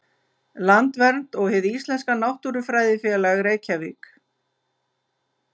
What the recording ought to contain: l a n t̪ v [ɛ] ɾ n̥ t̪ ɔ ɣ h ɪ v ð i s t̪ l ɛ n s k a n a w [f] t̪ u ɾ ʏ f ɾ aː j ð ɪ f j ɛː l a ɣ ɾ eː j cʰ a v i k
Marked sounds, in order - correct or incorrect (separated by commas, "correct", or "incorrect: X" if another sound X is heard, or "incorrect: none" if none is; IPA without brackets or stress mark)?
correct, incorrect: h